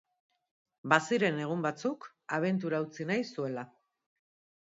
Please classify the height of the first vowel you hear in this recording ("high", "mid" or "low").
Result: low